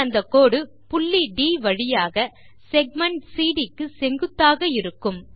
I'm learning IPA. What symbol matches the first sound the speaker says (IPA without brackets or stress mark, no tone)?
ɐ